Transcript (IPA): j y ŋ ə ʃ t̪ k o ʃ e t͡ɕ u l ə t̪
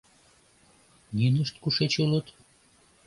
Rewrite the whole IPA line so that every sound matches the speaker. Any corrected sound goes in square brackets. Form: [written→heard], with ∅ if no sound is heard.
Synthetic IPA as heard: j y [ŋ→n] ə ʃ t̪ k [o→u] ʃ e t͡ɕ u l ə t̪